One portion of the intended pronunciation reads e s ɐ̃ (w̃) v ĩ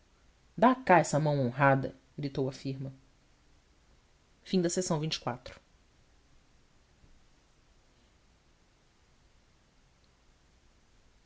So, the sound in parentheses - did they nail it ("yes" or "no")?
yes